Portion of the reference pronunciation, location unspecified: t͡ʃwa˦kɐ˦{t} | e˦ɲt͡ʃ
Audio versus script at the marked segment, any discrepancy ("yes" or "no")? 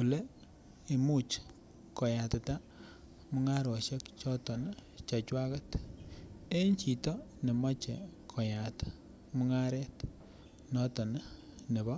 no